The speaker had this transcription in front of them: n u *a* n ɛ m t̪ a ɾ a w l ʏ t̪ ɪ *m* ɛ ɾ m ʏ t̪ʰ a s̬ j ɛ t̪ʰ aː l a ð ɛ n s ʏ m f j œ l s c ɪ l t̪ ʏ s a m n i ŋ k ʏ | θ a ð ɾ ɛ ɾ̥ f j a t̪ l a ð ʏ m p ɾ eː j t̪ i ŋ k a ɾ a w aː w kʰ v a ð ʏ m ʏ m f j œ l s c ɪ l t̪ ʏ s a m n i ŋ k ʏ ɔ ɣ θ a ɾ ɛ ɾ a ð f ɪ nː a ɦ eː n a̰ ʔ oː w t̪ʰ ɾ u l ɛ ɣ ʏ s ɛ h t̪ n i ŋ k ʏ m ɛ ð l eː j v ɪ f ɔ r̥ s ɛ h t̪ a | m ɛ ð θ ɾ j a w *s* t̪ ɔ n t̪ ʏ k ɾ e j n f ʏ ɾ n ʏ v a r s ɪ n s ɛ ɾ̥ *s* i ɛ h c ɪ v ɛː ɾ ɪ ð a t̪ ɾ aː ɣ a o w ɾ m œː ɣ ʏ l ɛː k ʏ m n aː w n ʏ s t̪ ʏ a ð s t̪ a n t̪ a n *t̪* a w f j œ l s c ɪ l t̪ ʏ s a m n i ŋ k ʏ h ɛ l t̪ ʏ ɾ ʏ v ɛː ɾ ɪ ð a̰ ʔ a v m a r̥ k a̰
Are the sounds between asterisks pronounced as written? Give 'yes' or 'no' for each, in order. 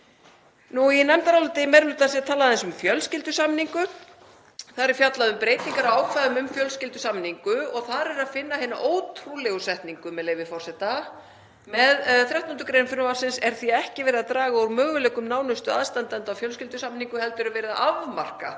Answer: no, yes, no, no, yes

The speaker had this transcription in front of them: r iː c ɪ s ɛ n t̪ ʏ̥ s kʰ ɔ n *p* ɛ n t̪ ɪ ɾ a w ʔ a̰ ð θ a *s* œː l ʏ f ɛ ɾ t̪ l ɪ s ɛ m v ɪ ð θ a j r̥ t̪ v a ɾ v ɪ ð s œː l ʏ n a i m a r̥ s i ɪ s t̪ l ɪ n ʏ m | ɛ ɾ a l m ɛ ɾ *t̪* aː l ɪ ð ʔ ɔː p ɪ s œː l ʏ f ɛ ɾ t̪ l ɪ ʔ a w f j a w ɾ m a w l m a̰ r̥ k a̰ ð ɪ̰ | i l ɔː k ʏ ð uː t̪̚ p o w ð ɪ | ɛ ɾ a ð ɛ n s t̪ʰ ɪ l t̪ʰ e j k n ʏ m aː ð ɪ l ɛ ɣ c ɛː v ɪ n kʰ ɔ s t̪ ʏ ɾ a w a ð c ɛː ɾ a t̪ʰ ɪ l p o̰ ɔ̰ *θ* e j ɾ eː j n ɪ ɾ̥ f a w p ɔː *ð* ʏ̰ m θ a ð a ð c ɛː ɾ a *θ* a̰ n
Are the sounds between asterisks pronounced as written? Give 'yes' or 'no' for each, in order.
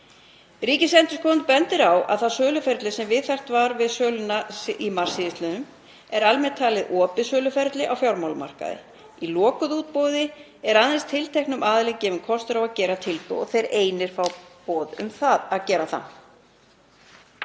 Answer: yes, yes, no, yes, yes, yes

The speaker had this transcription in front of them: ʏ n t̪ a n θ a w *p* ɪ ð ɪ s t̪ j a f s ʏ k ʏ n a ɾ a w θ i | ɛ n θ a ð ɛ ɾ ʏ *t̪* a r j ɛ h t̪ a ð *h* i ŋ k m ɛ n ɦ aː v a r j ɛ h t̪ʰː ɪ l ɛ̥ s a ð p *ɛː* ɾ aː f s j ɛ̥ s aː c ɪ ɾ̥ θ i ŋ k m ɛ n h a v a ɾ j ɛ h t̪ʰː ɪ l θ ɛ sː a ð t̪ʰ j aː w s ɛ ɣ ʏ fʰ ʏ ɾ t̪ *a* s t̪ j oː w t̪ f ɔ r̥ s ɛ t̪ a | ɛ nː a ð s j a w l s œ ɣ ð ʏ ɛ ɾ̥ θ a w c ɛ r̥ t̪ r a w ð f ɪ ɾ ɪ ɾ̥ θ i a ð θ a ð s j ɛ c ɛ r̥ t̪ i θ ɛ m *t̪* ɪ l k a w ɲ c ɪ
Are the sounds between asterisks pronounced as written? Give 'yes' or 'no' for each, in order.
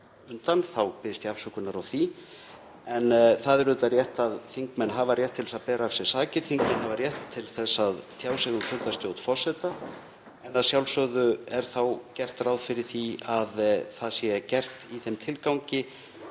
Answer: yes, yes, no, yes, yes, no

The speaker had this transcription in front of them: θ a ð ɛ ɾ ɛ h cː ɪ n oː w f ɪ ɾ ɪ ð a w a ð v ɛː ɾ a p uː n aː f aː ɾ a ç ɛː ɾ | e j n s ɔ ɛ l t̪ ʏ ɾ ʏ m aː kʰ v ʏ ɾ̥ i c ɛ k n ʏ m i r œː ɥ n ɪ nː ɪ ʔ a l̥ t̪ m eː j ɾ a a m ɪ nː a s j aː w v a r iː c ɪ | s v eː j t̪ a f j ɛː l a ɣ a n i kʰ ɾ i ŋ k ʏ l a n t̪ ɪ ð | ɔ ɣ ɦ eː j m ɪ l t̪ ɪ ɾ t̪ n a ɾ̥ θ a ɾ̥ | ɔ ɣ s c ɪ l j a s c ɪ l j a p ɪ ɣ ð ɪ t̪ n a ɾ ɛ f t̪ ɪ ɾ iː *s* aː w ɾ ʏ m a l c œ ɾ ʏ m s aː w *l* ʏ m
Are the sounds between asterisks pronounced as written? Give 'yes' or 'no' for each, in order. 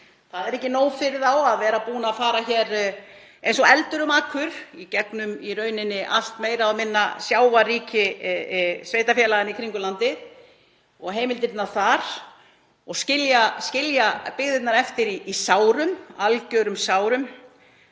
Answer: yes, no

